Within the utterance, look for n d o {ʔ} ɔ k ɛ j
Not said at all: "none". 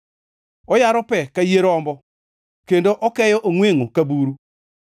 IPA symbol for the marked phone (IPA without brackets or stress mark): ʔ